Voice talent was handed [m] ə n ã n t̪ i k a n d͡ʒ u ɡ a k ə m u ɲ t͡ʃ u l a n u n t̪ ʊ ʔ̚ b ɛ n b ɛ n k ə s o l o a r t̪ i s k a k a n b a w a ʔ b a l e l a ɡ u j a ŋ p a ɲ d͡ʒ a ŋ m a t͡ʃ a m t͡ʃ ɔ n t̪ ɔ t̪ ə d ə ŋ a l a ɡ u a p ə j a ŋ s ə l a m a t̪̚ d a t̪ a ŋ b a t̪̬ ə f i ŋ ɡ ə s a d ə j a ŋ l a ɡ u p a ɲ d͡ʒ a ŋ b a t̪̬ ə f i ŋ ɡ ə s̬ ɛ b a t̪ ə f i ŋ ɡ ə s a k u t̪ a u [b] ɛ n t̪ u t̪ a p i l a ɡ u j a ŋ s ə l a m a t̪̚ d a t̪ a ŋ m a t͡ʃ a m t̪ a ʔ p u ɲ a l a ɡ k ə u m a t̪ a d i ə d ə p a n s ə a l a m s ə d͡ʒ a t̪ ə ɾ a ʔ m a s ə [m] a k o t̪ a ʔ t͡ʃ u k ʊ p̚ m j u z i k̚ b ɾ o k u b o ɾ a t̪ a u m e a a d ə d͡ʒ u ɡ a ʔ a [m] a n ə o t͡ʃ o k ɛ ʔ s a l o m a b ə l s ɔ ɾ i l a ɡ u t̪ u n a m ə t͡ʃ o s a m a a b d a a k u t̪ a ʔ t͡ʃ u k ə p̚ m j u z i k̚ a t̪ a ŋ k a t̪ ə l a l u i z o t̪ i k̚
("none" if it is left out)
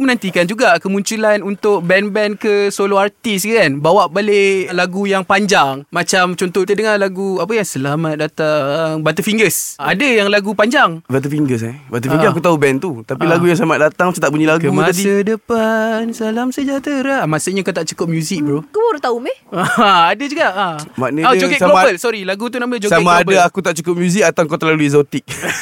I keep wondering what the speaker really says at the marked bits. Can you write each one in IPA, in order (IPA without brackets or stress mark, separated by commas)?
m, b, ɲ, m